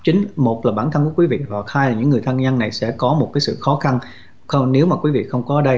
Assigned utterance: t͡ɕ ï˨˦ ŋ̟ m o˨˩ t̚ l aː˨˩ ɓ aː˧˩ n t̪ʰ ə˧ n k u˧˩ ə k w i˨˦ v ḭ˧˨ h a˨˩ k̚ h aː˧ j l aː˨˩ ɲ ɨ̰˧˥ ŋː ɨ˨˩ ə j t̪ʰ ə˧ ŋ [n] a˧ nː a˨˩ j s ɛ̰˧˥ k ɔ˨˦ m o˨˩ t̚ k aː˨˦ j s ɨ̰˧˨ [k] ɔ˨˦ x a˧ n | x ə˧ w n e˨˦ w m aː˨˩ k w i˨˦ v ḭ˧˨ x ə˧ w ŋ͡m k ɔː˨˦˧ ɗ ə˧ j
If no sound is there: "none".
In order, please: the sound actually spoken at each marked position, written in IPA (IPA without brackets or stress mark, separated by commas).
ɲ, x